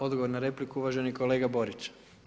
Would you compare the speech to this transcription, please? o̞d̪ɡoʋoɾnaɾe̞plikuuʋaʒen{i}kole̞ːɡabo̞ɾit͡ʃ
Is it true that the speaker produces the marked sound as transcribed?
yes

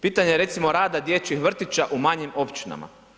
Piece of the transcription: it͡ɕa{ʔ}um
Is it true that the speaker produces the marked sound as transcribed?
yes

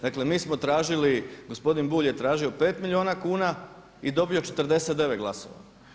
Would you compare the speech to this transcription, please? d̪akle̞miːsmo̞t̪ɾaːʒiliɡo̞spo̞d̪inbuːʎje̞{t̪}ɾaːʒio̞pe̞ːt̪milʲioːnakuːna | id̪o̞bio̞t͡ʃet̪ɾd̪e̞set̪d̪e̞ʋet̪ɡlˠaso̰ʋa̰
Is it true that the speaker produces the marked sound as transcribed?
yes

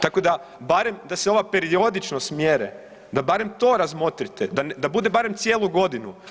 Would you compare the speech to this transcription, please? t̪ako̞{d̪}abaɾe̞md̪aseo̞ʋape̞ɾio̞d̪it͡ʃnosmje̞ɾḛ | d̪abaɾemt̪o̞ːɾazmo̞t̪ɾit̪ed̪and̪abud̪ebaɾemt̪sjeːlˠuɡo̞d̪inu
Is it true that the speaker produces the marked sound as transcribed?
yes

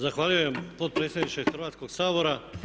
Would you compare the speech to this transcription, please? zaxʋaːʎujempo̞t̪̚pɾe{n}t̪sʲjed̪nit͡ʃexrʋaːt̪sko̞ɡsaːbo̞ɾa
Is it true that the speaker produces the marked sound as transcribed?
no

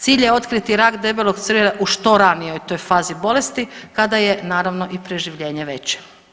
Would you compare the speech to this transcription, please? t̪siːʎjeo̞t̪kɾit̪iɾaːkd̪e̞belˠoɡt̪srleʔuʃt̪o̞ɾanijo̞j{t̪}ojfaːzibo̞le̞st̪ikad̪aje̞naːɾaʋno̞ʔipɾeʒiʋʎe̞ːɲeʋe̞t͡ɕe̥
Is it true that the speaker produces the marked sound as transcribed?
yes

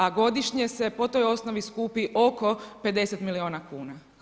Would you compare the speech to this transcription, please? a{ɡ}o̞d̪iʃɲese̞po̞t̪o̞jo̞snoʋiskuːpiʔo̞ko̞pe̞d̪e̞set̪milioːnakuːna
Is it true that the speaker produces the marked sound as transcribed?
yes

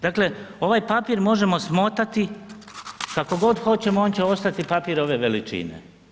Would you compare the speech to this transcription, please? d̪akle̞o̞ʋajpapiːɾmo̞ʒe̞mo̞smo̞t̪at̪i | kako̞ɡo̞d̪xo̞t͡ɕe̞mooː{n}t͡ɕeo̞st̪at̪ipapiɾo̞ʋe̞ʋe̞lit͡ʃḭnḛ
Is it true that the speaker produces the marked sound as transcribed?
yes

